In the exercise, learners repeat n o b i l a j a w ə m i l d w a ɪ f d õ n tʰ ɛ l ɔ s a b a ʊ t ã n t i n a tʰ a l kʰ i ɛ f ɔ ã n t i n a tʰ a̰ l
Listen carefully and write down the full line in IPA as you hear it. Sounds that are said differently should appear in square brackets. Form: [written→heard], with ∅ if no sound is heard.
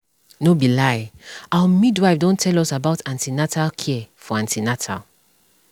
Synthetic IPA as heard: n o b i l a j a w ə m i [l→∅] d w a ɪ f d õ n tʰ ɛ l ɔ s a b a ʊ t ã n t i n a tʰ a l kʰ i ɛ f ɔ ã n t i n a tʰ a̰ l

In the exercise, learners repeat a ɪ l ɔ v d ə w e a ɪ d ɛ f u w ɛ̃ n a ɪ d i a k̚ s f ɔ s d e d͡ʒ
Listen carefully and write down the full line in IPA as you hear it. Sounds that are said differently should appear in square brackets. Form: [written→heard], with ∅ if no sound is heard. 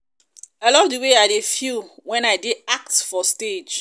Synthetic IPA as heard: a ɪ l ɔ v d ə w e a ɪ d [ɛ→e] f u w ɛ̃ n a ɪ d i a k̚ [s→t] f ɔ s [d→t] e d͡ʒ

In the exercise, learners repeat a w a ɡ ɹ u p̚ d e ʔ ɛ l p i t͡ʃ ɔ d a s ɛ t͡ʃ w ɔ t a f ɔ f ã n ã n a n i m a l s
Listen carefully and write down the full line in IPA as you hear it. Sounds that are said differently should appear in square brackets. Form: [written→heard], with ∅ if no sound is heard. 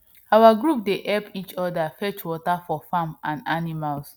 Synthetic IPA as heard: a w a ɡ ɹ u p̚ d e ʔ ɛ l p i t͡ʃ ɔ d a [s→f] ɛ t͡ʃ w ɔ t a f ɔ f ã [n→m] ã n a n i m a l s

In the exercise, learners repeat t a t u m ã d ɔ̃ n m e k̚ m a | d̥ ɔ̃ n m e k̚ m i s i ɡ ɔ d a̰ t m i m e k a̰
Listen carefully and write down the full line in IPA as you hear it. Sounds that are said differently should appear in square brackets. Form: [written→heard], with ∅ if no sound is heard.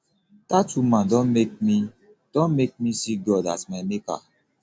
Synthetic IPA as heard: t a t u m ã d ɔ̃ n m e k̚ m [a→i] | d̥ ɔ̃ n m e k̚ m i s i ɡ ɔ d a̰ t m [i→a] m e k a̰

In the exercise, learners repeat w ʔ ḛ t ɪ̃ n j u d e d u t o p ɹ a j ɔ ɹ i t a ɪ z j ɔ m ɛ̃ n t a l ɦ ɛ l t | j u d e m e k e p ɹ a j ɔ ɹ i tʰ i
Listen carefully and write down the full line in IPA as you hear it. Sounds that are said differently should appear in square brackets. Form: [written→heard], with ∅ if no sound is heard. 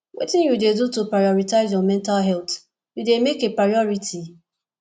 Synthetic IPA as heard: w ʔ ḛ t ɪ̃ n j u d e d u t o p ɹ a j ɔ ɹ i t a ɪ z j ɔ m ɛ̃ n t a l ɦ ɛ l t | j u d e m e k e p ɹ a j ɔ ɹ i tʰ i

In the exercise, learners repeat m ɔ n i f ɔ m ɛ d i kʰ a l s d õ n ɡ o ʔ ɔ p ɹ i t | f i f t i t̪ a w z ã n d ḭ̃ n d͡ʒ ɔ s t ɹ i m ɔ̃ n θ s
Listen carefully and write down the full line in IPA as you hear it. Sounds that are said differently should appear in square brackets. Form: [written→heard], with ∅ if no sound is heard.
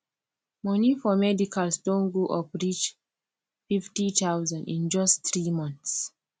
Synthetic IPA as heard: m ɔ n i f ɔ m ɛ d i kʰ a l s d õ n ɡ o ʔ ɔ p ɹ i [t→t͡ʃ] | f i f t i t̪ a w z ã n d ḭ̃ n d͡ʒ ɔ s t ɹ i m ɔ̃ n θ s

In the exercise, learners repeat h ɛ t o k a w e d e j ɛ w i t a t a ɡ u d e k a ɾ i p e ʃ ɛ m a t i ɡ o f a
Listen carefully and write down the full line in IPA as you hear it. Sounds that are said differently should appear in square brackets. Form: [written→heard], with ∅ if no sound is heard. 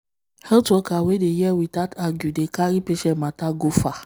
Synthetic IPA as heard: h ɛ t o k a w e d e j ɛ w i t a t a ɡ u d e k a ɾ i p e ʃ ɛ m a t [i→a] ɡ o f a

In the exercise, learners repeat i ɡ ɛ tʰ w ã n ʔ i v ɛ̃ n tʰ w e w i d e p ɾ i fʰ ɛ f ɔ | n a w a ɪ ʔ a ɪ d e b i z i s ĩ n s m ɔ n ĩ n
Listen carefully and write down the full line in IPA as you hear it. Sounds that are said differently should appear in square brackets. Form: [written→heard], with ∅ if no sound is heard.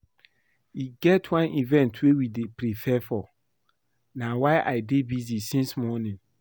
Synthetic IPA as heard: i ɡ ɛ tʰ w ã n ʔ i v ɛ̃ n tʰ w e w i d e p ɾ i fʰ ɛ f ɔ | n a w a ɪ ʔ a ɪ d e b i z i s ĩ n s m ɔ n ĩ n

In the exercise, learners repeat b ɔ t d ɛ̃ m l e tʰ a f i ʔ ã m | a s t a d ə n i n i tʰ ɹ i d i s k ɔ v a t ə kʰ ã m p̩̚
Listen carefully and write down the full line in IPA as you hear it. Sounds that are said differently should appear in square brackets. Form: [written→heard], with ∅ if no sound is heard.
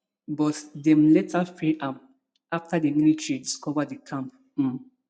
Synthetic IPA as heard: b ɔ t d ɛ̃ m l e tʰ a f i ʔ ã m | a [s→f] t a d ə [n→m] i n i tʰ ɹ i d i s k ɔ v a [t→d] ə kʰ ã m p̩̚

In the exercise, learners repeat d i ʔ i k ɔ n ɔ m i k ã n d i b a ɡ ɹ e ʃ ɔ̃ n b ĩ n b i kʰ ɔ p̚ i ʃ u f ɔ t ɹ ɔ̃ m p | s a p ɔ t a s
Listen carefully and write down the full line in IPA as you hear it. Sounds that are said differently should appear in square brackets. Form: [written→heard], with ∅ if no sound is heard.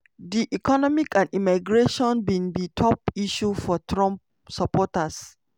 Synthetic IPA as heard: d i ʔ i k ɔ n ɔ m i k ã n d i [b→m] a ɡ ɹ e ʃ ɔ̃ n b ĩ n b i [kʰ→tʰ] ɔ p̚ i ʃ u f ɔ t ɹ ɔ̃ m p | s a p ɔ t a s

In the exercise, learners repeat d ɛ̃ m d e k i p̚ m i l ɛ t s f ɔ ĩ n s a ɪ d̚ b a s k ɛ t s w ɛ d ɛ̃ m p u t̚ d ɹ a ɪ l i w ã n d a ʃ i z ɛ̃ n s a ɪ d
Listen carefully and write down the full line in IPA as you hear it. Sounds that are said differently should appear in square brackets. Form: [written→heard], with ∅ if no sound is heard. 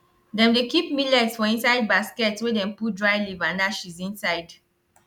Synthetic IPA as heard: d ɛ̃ m d e k i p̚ m i l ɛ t s f ɔ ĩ n s a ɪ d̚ b a s k ɛ t s w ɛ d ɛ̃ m p u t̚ d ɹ a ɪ l i [w→v] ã n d a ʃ i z [ɛ̃→ĩ] n s a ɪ d

